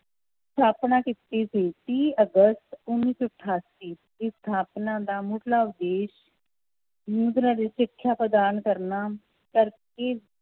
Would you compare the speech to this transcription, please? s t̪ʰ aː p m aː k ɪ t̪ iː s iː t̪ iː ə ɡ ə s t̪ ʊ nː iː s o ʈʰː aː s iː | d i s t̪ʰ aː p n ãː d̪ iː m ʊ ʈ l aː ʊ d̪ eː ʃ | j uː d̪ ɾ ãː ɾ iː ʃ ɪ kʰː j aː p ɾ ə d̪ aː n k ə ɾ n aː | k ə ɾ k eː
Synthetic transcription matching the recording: s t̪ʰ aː p n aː k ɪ t̪ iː s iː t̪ iː ə ɡ ə s t̪ ʊ nː iː s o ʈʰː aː s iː | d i s t̪ʰ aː p n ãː d̪ aː m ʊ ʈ l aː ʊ d̪ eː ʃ | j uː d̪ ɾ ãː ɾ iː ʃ ɪ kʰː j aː p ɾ ə d̪ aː n k ə ɾ n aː | k ə ɾ k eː